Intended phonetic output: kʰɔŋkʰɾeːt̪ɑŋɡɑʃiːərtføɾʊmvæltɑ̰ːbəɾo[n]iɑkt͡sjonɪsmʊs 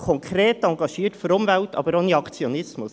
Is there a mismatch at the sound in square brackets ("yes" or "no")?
no